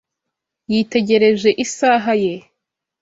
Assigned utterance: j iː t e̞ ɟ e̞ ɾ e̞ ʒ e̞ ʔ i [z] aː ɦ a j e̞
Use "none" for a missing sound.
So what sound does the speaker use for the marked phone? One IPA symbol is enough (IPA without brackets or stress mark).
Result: s